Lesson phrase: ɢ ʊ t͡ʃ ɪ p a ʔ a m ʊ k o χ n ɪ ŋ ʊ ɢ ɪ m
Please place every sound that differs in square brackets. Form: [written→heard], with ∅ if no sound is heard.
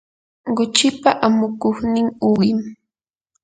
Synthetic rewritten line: ɢ ʊ t͡ʃ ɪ p a ʔ a m ʊ k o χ n ɪ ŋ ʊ ɢ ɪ m